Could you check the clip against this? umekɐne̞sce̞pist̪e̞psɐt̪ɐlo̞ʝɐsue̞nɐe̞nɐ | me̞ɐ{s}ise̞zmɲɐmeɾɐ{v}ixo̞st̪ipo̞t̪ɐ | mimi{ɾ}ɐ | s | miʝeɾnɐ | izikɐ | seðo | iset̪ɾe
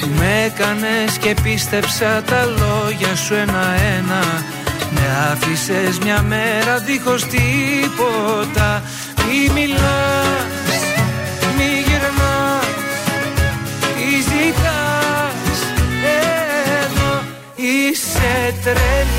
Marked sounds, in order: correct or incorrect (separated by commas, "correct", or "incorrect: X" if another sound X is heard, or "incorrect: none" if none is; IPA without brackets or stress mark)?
incorrect: f, incorrect: ð, incorrect: l